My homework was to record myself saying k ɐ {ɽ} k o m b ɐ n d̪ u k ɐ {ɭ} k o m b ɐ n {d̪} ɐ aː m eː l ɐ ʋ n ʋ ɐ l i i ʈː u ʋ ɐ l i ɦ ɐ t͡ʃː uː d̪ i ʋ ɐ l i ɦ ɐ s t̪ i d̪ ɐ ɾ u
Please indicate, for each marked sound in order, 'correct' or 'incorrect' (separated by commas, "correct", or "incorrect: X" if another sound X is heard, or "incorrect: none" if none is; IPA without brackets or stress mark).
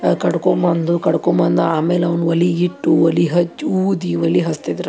correct, incorrect: ɽ, correct